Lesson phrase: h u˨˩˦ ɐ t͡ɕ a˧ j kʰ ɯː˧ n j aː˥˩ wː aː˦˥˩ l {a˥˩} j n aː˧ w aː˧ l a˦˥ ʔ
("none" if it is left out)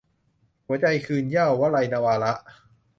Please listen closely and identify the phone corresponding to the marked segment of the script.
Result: a˧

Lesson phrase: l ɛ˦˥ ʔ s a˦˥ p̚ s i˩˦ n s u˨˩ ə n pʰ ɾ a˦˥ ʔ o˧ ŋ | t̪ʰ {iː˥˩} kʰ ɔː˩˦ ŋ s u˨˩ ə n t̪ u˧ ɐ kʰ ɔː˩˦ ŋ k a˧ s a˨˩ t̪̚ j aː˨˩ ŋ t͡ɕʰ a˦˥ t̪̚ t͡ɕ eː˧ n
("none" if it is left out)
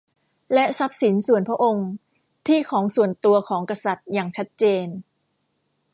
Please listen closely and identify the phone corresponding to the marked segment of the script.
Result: iː˥˩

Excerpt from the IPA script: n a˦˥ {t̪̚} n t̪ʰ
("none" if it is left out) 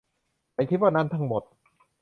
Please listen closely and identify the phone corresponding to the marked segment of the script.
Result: none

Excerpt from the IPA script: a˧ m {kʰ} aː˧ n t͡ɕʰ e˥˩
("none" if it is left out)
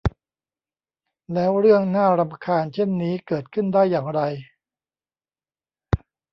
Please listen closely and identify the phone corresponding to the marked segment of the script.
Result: kʰ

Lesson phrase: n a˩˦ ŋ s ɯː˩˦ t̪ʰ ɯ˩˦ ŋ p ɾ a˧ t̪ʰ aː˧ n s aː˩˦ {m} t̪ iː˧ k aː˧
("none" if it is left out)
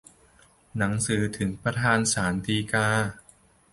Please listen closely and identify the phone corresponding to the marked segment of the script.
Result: n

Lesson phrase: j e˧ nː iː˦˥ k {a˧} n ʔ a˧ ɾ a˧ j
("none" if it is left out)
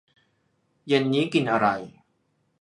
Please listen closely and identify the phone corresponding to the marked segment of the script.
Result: i˧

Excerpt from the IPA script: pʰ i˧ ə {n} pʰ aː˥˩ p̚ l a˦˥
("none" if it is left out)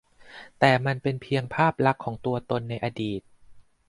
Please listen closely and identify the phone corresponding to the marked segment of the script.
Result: ŋ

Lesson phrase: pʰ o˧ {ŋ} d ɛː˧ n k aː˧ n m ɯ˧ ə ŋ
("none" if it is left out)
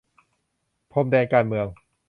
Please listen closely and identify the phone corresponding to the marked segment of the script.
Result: m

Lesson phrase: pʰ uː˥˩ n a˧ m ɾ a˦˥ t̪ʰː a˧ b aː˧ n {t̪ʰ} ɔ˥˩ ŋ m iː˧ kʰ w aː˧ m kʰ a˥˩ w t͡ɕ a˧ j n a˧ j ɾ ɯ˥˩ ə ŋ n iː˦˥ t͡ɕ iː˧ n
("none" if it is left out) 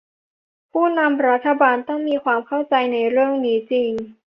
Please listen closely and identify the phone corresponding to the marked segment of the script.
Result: t̪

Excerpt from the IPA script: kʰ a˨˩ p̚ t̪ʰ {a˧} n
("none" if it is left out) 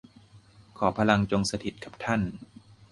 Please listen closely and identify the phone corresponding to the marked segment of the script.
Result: a˥˩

